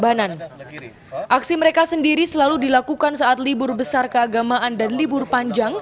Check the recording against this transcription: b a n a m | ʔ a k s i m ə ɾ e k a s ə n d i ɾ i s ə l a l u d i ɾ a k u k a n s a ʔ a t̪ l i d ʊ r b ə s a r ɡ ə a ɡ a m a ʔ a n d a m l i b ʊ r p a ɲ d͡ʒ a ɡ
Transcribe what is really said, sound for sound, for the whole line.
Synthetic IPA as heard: b a n a n | ʔ a k s i m ə ɾ e k a s ə n d i ɾ i s ə l a l u d i l a k u k a n s a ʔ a t̪ l i b ʊ r b ə s a r k ə a ɡ a m a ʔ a n d a n l i b ʊ r p a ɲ d͡ʒ a ŋ